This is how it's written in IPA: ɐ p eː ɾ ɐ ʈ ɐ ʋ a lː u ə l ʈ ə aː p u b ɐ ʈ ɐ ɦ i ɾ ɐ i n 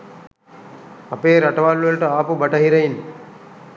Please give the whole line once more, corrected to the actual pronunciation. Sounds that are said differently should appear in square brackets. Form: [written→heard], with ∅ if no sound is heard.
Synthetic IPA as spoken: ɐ p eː ɾ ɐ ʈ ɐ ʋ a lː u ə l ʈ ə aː p u b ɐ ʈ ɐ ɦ i ɾ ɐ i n

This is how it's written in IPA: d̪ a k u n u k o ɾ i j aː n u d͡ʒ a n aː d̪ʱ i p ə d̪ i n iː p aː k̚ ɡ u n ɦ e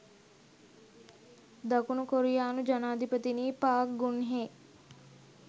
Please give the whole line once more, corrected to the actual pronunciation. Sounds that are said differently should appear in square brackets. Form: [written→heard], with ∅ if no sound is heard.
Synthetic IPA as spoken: d̪ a k u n u k o ɾ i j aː n u d͡ʒ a n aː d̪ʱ i p ə [d̪→t̪] i n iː p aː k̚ ɡ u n ɦ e

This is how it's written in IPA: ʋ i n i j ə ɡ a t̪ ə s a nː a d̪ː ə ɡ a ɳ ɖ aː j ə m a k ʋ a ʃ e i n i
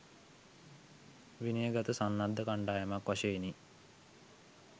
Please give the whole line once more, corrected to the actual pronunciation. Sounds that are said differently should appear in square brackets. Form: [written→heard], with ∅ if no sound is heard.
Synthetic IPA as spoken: ʋ i n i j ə ɡ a t̪ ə s a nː a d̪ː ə [ɡ→k] a ɳ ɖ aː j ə m a k ʋ a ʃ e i n i

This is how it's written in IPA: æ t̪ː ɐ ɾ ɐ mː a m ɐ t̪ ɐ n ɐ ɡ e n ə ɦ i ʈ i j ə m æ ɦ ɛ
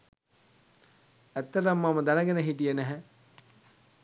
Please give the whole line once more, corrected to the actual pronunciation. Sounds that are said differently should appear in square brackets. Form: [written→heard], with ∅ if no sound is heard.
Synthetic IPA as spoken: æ t̪ː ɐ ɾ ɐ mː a m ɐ [t̪→d̪] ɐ n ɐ ɡ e n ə ɦ i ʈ i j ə [m→n] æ ɦ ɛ

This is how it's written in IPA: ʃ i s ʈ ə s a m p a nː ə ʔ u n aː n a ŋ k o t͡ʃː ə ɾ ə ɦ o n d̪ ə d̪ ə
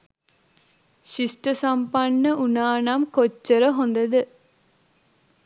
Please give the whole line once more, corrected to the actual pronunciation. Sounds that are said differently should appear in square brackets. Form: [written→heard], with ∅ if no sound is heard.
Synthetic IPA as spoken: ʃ i s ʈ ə s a m p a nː ə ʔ u n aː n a [ŋ→m] k o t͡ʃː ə ɾ ə ɦ o n d̪ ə d̪ ə

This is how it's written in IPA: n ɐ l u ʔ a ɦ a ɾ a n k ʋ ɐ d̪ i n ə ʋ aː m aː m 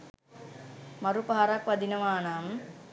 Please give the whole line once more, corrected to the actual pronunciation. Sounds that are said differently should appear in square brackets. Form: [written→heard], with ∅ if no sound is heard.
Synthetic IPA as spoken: [n→m] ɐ [l→ɾ] u [ʔ→p] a ɦ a ɾ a [n→∅] k ʋ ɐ d̪ i n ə ʋ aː [m→n] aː m

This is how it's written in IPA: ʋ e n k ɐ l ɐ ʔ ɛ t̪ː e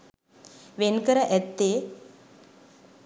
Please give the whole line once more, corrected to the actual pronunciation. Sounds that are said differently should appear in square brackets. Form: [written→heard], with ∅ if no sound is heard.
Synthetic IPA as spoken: ʋ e n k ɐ [l→ɾ] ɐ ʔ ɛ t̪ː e

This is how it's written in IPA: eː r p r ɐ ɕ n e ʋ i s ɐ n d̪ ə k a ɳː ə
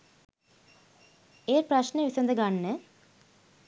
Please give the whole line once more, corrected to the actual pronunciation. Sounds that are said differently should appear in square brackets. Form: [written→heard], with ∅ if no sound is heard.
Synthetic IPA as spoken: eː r p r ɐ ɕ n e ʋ i s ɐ n d̪ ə [k→ɡ] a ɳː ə

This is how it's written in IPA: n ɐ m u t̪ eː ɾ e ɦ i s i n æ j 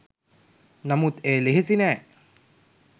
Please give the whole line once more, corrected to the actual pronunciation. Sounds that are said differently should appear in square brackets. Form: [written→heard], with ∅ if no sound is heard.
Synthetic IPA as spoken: n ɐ m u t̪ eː [ɾ→l] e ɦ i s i n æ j

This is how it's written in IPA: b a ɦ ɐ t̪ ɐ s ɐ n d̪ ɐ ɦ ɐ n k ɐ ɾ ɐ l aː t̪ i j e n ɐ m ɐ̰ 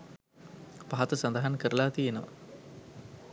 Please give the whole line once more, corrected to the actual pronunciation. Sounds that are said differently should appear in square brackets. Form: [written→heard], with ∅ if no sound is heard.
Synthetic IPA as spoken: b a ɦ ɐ t̪ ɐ s ɐ n d̪ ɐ ɦ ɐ n k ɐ ɾ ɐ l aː t̪ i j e n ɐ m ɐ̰

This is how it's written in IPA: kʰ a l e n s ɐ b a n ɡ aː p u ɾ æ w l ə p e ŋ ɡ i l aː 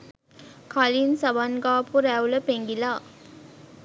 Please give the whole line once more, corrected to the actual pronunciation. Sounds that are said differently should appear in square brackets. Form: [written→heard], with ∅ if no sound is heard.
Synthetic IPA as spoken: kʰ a l [e→i] n s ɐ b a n ɡ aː p u ɾ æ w l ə p e ŋ ɡ i l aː

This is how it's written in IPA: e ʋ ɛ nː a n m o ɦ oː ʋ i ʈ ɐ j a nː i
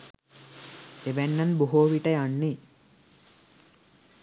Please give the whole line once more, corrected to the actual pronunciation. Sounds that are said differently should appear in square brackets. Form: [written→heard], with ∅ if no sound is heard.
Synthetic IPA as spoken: e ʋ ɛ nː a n [m→b] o ɦ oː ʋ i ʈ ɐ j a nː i

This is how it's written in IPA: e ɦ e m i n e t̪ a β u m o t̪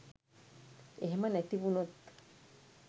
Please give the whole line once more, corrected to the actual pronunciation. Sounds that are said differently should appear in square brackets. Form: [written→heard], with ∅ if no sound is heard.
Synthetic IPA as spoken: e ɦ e m [i→a] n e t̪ [a→i] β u [m→n] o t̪

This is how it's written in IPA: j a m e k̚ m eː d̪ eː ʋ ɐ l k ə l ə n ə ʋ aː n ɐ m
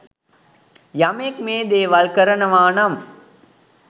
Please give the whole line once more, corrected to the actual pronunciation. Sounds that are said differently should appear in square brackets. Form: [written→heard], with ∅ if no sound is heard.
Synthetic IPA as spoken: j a m e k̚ m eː d̪ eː ʋ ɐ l k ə [l→ɾ] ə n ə ʋ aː n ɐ m

